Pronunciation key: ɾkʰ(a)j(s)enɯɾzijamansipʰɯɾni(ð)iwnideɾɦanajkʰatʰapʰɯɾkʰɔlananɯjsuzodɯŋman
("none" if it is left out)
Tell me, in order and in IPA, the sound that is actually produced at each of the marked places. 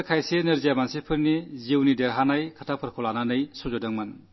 a, s, z

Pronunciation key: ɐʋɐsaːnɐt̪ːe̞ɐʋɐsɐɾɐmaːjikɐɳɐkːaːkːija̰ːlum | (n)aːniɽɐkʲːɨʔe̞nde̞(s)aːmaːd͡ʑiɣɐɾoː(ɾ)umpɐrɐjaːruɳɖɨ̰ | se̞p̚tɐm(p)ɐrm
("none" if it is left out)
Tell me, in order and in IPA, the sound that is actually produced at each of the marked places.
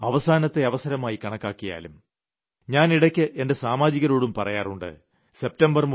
ɲ, s, ɽ, b

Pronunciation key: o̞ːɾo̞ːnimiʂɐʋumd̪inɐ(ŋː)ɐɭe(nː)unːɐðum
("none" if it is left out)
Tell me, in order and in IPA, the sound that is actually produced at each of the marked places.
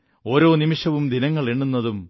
ŋː, ɳː

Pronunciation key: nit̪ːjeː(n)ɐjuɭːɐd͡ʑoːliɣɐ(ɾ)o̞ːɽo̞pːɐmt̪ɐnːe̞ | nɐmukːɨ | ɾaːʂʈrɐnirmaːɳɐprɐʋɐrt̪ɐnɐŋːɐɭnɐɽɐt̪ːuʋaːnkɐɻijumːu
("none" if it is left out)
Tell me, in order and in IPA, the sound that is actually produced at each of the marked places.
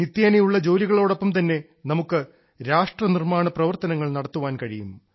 n, ɭ

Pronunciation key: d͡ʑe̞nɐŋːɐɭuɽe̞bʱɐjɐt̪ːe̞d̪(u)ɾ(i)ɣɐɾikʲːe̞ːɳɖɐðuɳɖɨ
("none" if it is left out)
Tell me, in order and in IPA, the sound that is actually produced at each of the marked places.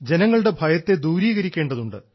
uː, iː

